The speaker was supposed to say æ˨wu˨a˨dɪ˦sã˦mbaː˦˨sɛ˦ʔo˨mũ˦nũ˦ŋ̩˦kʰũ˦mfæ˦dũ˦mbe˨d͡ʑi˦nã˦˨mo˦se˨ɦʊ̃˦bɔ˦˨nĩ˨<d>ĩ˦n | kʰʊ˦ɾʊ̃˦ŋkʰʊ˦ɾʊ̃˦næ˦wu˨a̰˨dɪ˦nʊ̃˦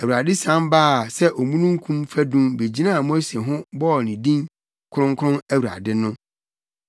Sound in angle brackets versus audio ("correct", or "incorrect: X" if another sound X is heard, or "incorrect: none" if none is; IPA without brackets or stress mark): correct